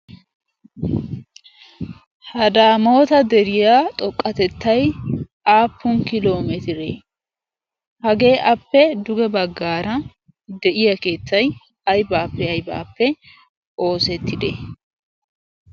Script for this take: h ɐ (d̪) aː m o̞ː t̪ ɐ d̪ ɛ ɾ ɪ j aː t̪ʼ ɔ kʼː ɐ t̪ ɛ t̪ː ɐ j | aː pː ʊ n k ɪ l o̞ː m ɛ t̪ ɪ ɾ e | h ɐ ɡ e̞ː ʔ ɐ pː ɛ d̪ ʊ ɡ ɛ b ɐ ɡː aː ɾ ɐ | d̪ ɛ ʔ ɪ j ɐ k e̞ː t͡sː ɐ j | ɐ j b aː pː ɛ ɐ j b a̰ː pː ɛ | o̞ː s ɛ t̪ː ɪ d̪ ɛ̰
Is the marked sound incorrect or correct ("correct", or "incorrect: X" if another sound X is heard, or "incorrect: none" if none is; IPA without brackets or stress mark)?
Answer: correct